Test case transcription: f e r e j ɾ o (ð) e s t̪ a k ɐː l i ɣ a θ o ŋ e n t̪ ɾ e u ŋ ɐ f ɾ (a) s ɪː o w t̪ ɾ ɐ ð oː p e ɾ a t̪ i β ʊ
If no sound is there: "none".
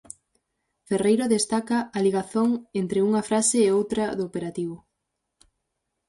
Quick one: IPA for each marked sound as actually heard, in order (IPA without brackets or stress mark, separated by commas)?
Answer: ð, a